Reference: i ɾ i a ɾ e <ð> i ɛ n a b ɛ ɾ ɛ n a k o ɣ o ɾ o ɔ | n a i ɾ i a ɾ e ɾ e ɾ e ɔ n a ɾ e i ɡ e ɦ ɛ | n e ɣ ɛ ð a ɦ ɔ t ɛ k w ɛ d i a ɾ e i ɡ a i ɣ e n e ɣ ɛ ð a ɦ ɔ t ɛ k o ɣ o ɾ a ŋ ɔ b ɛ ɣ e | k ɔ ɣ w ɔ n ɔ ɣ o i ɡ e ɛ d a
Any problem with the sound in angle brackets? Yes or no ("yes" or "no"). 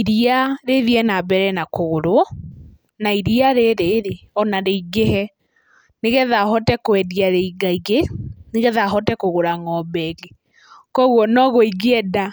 no